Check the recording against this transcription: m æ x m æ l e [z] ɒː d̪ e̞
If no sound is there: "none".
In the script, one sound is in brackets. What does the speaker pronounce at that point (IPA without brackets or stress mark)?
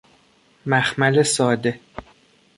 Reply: s